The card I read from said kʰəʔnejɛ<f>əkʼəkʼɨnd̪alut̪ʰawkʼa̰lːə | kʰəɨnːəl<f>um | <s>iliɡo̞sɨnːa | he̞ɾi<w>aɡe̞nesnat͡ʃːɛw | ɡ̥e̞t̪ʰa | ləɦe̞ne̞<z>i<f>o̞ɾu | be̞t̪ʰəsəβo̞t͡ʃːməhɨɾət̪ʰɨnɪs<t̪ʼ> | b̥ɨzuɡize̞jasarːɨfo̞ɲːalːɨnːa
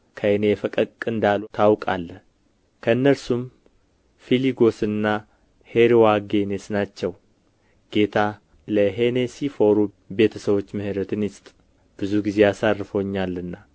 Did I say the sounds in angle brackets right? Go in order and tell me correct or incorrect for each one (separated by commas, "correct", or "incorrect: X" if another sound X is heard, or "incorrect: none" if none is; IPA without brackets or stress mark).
correct, incorrect: s, incorrect: f, correct, incorrect: s, correct, correct